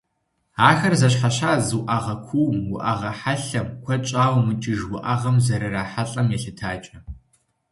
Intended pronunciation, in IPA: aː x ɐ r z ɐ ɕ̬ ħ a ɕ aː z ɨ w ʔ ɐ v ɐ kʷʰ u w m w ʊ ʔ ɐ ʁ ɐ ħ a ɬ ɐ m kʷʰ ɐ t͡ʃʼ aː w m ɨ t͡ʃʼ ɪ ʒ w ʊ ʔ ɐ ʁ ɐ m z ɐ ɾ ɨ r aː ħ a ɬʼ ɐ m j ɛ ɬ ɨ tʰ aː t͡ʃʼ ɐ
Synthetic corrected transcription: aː x ɐ r z ɐ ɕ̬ ħ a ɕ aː z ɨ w ʔ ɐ ʁ ɐ kʷʰ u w m w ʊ ʔ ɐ ʁ ɐ ħ a ɬ ɐ m kʷʰ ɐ t͡ʃʼ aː w m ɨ t͡ʃʼ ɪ ʒ w ʊ ʔ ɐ ʁ ɐ m z ɐ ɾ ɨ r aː ħ a ɬʼ ɐ m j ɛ ɬ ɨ tʰ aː t͡ʃʼ ɐ